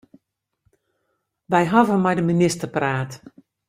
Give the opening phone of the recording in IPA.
ʋ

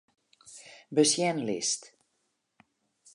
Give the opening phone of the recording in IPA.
b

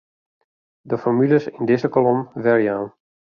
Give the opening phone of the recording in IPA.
d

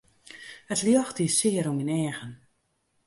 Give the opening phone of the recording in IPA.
ə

